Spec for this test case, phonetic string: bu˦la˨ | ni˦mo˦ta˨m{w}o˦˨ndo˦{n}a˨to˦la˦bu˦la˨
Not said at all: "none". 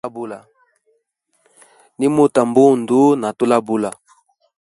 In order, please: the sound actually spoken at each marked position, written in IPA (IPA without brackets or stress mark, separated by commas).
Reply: b, n